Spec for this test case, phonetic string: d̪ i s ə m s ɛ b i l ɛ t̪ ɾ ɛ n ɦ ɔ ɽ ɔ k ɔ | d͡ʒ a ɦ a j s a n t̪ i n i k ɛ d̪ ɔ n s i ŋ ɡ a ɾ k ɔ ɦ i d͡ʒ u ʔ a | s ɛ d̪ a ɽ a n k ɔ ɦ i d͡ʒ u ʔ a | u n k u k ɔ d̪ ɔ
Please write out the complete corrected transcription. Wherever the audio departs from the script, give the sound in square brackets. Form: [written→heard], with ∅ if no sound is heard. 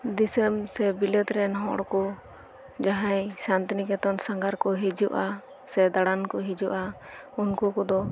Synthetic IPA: d̪ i s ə m s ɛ b i l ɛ t̪ ɾ ɛ n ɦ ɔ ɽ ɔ k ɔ | d͡ʒ a ɦ a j s a n t̪ i n i k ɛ [d̪→t̪] ɔ n s [i→a] ŋ ɡ a ɾ k ɔ ɦ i d͡ʒ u ʔ a | s ɛ d̪ a ɽ a n k ɔ ɦ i d͡ʒ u ʔ a | u n k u k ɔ d̪ ɔ